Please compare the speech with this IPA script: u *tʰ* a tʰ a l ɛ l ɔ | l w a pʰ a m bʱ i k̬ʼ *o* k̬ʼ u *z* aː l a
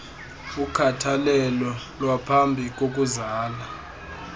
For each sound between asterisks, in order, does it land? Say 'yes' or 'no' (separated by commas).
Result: no, yes, yes